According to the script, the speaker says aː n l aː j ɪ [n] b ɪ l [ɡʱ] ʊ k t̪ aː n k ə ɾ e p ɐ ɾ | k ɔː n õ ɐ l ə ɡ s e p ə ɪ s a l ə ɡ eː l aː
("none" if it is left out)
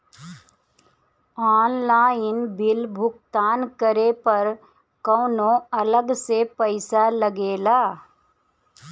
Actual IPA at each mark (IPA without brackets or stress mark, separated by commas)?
n, bʱ